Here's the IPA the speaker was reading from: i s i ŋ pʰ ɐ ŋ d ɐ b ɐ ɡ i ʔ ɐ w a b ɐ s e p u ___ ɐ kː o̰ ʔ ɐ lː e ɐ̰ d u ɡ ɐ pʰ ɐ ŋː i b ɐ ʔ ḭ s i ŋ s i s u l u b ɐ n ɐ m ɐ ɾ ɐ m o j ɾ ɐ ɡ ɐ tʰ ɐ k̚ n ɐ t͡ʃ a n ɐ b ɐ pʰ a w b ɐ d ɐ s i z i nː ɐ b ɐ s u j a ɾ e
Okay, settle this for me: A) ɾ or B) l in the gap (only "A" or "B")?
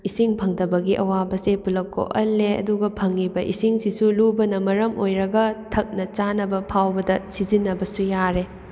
B